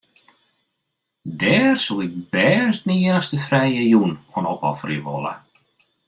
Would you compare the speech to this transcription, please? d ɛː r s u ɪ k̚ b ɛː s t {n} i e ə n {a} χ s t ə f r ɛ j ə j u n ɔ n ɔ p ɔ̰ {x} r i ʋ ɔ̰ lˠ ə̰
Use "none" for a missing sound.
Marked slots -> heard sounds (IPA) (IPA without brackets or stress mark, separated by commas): n, ə, f